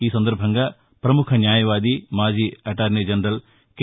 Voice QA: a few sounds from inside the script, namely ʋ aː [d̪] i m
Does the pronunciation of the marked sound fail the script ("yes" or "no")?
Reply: no